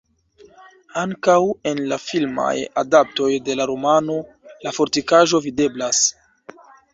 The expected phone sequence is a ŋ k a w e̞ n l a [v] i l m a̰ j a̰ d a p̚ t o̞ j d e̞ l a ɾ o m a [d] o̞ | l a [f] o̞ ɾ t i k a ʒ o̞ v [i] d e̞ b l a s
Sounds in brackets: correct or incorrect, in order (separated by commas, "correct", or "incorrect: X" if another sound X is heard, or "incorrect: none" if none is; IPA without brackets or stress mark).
incorrect: f, incorrect: n, correct, correct